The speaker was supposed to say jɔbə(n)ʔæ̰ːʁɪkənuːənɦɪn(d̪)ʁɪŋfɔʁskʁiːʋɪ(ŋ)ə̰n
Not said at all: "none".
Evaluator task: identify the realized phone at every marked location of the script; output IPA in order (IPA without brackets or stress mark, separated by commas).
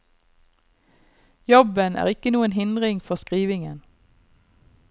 n, d̪, ŋ